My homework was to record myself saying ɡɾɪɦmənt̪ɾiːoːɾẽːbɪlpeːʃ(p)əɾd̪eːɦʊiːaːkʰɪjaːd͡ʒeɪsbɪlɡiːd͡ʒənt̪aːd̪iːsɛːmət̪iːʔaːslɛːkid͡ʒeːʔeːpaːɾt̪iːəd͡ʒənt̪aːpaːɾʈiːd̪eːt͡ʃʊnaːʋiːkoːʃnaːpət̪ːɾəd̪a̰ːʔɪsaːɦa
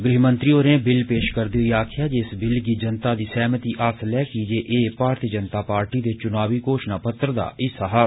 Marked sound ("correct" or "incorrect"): incorrect